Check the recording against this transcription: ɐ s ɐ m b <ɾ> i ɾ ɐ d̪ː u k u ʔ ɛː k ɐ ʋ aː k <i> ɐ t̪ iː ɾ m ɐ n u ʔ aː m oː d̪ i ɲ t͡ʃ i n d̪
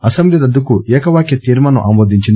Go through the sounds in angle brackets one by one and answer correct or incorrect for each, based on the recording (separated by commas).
incorrect, incorrect